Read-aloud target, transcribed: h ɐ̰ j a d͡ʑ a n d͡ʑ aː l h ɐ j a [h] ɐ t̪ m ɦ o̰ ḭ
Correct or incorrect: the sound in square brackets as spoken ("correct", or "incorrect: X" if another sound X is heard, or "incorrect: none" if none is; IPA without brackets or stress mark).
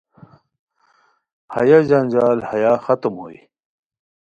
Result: incorrect: x